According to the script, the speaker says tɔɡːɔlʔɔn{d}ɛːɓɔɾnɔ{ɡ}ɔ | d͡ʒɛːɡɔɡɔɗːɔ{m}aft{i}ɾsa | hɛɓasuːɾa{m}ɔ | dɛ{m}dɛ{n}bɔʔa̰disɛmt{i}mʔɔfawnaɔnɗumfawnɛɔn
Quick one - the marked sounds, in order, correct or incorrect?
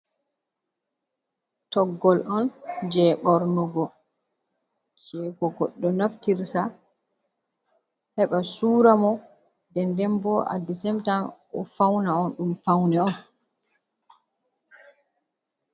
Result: incorrect, correct, incorrect, correct, correct, incorrect, incorrect, incorrect

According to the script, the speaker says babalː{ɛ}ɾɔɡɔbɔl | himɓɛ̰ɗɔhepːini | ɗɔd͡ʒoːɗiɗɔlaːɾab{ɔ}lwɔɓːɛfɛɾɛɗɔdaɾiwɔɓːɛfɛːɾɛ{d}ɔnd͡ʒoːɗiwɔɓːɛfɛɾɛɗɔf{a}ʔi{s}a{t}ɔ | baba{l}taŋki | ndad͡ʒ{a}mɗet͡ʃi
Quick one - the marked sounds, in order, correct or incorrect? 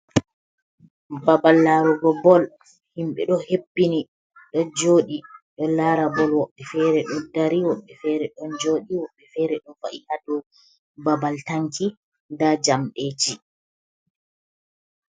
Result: incorrect, correct, incorrect, correct, incorrect, incorrect, correct, correct

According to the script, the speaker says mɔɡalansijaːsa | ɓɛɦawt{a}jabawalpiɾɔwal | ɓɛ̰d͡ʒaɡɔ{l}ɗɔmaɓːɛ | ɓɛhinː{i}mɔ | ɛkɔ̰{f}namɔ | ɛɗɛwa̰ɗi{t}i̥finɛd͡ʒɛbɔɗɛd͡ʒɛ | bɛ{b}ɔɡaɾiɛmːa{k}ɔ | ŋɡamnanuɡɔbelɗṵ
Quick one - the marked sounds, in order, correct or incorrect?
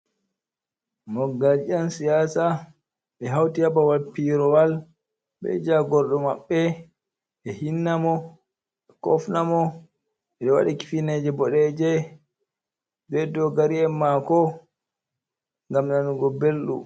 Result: incorrect, incorrect, incorrect, correct, incorrect, incorrect, correct

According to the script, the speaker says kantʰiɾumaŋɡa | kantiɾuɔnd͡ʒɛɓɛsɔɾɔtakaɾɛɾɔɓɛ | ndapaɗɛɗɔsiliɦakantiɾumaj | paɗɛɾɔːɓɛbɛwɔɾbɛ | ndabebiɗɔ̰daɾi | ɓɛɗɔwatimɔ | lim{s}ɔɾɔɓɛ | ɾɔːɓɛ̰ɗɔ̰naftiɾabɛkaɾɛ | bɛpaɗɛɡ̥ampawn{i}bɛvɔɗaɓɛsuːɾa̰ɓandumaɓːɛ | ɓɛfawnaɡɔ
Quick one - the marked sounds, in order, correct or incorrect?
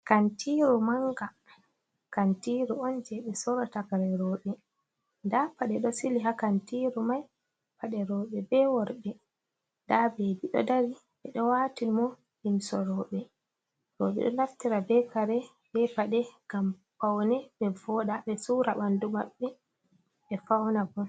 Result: correct, incorrect

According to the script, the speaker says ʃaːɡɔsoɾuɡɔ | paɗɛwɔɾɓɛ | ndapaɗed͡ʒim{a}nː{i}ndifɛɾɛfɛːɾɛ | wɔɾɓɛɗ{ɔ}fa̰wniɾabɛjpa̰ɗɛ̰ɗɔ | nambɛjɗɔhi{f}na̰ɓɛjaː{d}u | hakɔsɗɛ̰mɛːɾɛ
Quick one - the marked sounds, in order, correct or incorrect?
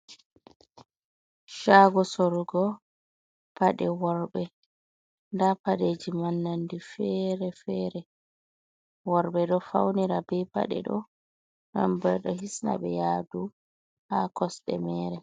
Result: correct, incorrect, correct, incorrect, correct

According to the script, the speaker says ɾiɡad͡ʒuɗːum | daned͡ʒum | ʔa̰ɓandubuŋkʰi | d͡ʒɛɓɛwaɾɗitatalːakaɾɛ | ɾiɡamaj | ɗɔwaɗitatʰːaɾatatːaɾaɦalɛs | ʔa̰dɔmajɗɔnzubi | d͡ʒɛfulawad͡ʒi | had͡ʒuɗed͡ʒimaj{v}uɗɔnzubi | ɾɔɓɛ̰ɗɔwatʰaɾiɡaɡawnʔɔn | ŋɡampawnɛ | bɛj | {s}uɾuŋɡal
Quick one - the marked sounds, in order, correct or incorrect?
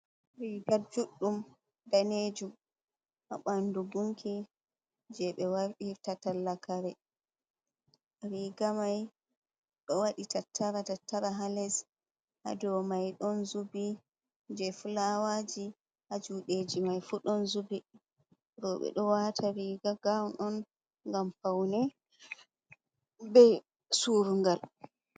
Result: incorrect, correct

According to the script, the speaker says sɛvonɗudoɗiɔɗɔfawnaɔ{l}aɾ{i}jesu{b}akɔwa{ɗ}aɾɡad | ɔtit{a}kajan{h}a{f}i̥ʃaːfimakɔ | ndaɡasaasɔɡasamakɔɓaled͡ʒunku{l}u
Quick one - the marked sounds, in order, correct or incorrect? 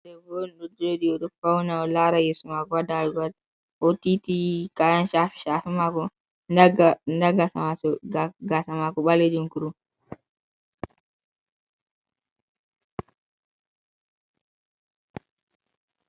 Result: correct, incorrect, incorrect, incorrect, incorrect, incorrect, correct, incorrect

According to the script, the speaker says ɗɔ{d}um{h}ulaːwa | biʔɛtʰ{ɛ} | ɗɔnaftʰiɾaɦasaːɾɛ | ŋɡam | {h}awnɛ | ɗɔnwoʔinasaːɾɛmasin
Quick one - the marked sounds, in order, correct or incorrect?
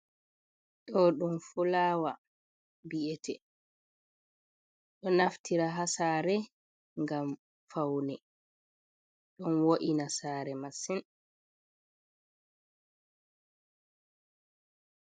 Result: incorrect, incorrect, correct, incorrect

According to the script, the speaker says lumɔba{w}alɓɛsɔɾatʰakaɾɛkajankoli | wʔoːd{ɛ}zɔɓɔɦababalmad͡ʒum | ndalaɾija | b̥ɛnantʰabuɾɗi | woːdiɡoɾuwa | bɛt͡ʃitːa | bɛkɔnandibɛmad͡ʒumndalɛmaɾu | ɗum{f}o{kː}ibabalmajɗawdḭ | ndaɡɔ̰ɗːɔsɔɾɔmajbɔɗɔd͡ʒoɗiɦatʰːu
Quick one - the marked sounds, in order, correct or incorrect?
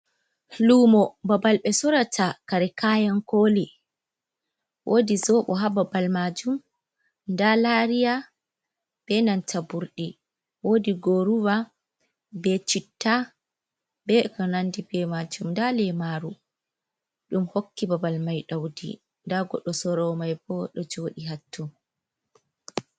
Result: incorrect, incorrect, incorrect, correct

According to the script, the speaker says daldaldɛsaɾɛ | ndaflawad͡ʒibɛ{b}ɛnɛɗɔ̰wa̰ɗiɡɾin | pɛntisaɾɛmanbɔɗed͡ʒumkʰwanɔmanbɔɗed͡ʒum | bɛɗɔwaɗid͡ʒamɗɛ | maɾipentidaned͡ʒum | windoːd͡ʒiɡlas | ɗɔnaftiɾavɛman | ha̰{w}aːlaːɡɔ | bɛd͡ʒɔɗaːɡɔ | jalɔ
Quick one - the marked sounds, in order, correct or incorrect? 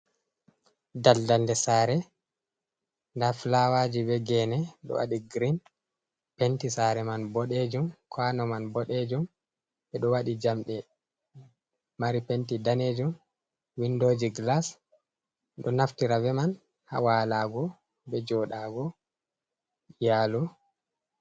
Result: incorrect, correct

